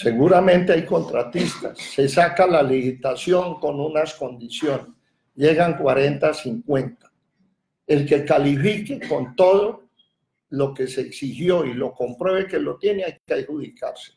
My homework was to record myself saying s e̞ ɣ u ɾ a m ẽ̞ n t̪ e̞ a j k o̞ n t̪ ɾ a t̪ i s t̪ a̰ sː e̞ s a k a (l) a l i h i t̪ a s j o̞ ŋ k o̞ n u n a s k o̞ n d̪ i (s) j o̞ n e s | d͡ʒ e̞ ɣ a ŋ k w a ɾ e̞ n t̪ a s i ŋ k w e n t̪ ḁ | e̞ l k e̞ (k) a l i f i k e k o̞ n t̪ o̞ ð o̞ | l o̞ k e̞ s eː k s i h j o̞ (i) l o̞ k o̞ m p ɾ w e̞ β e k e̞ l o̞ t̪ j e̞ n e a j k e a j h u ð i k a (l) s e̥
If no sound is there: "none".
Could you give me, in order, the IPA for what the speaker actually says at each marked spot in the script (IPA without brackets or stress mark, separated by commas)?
l, s, k, i, ɾ